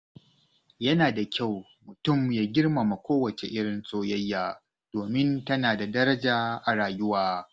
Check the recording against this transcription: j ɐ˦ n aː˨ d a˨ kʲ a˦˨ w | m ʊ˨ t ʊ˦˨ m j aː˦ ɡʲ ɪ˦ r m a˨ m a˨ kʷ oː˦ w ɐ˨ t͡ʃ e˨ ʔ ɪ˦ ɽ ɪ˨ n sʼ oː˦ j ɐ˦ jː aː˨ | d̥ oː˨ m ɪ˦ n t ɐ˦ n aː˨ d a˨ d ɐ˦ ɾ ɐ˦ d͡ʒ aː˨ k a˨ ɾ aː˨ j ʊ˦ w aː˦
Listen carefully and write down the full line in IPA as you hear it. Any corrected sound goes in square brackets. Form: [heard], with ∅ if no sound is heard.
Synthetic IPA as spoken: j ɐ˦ n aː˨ d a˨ kʲ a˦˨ w | m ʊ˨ t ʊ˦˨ m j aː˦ ɡʲ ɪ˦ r m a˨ m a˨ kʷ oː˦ w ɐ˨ t͡ʃ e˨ ʔ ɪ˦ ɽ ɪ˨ n sʼ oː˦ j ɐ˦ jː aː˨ | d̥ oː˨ m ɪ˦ n t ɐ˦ n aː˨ d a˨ d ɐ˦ ɾ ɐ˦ d͡ʒ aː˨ [ʔ] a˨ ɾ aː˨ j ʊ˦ w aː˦